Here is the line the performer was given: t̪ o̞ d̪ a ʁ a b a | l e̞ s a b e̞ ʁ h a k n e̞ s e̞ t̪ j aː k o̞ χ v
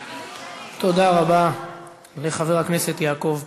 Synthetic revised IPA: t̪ o̞ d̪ a ʁ a b a | l e̞ χ a v e̞ ʁ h a k n e̞ s e̞ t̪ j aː k o̞ v

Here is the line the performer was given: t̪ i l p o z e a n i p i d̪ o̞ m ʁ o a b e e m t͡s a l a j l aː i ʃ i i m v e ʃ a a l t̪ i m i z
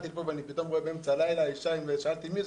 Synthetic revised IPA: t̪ i l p o v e a n i p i t̪ o̞ m ʁ o e b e e m t͡s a l a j l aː i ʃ a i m v e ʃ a a l t̪ i m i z

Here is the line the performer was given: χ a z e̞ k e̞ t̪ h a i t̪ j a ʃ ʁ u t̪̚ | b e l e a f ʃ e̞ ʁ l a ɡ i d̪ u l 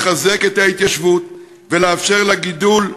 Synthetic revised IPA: χ a z e̞ k e̞ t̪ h a i t̪ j a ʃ v u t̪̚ | v e l e a f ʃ e̞ ʁ l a ɡ i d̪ u l

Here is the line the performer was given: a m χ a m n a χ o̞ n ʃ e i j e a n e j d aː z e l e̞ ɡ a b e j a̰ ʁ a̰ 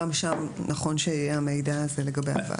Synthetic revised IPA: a m ʃ a m n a χ o̞ n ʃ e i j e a m e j d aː z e l e̞ ɡ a b e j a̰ v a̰

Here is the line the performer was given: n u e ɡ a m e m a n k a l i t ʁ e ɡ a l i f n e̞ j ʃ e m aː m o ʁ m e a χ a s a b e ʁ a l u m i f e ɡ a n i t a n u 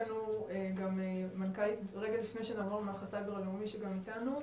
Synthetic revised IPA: n u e ɡ a m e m a n k a l i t ʁ e ɡ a l i f n e̞ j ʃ e n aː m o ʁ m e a χ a s a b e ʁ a l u m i ʃ e ɡ a m i t a n u

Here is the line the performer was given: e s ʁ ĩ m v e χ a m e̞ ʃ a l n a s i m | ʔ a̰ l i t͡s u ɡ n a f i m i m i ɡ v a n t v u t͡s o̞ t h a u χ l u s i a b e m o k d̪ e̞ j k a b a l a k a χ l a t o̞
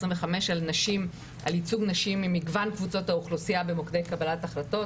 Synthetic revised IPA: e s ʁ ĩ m v e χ a m e̞ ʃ a l n a ʃ i m | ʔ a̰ l i t͡s u ɡ n a ʃ i m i m i ɡ v a n k v u t͡s o̞ t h a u χ l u s i a b e m o k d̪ e̞ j k a b a l a t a χ l a t o̞

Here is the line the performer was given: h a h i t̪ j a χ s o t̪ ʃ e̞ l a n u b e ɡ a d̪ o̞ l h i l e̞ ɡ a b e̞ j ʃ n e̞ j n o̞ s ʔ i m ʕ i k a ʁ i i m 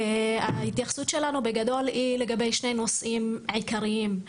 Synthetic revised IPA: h a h i t̪ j a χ s u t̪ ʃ e̞ l a n u b e ɡ a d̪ o̞ l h i l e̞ ɡ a b e̞ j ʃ n e̞ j n o̞ s ʔ i m ʕ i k a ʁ i i m

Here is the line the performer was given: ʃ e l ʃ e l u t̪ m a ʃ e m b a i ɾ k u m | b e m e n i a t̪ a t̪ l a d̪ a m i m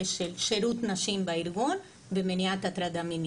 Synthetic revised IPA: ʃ e l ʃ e ɾ u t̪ n a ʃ i m b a i ɾ ɡ u n | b e m e n i a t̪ a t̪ ɾ a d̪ a m i n

